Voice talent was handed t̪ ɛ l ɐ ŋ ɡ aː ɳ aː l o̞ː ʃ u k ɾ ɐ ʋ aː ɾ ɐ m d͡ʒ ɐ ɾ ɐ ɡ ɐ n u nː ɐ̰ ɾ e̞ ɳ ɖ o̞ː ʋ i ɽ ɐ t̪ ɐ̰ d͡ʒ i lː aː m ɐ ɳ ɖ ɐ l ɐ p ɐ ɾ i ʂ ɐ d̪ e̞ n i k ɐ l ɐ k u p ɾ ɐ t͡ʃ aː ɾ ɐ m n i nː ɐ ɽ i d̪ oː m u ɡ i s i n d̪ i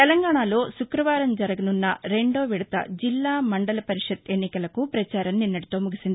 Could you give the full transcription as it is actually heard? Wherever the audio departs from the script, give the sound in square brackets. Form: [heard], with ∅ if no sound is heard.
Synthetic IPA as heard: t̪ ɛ l ɐ ŋ ɡ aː ɳ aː l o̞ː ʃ u k ɾ ɐ ʋ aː ɾ ɐ m d͡ʒ ɐ ɾ ɐ ɡ ɐ n u nː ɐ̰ ɾ e̞ ɳ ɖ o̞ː ʋ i ɽ ɐ t̪ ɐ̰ d͡ʒ i lː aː m ɐ ɳ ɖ ɐ l ɐ p ɐ ɾ i ʂ ɐ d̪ e̞ [nː] i k ɐ l ɐ k u p ɾ ɐ t͡ʃ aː ɾ ɐ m n i nː ɐ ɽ i [t̪] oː m u ɡ i s i n d̪ i